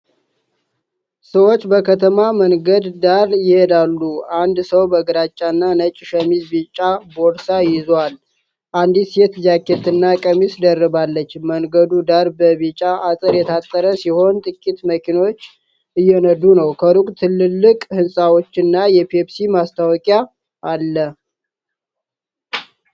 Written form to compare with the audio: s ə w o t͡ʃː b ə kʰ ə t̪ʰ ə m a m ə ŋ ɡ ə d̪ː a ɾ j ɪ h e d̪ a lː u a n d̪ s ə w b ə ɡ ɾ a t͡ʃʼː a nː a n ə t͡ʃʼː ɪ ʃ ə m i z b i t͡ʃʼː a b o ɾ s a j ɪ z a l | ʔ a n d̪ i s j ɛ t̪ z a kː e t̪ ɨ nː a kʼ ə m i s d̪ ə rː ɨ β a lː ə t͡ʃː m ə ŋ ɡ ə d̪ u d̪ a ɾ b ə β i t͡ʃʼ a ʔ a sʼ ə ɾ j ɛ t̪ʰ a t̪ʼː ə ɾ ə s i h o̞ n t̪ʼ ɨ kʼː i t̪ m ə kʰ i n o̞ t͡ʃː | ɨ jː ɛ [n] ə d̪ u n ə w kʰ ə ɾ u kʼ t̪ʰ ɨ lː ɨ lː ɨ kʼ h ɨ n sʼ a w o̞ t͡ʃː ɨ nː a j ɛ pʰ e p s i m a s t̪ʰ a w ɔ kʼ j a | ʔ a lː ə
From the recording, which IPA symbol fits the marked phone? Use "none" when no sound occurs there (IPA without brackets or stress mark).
n